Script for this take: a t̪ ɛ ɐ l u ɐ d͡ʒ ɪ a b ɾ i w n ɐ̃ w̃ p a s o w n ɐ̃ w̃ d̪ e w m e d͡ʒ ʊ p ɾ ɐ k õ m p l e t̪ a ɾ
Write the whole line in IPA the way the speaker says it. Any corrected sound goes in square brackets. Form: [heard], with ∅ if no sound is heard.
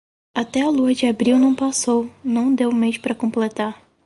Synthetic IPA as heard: a t̪ ɛ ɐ l u ɐ d͡ʒ ɪ a b ɾ i w n ɐ̃ w̃ p a s o w n ɐ̃ w̃ d̪ e w m e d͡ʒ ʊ p ɾ ɐ k õ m p l e t̪ a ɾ

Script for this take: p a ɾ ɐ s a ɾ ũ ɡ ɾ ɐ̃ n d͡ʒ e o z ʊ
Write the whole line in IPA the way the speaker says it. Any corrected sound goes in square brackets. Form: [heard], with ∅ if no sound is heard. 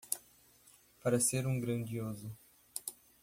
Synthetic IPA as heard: p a ɾ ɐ s [e] ɾ ũ ɡ ɾ ɐ̃ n d͡ʒ [i] o z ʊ

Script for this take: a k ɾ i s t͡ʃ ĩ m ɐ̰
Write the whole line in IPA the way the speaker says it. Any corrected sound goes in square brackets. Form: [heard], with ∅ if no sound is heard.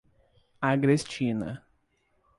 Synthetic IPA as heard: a [ɡ] ɾ [e] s t͡ʃ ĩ [n] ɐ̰

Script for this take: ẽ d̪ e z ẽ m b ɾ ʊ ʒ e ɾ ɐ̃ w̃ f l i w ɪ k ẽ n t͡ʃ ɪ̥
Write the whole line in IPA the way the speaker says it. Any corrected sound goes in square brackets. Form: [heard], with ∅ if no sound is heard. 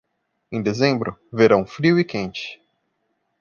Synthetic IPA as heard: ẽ d̪ e z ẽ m b ɾ ʊ [v] e ɾ ɐ̃ w̃ f [ɾ] i w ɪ k ẽ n t͡ʃ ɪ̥

